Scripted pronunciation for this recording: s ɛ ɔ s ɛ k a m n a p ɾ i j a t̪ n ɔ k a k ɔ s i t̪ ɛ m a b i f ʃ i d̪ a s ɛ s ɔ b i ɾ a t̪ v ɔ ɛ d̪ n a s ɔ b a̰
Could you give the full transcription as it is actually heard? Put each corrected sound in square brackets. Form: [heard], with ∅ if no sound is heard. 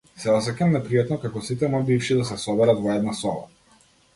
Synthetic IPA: s ɛ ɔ s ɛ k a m n [ɛ] p ɾ i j a t̪ n ɔ k a k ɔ s i t̪ ɛ m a b i f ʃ i d̪ a s ɛ s ɔ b [ɛ] ɾ a t̪ v ɔ ɛ d̪ n a s ɔ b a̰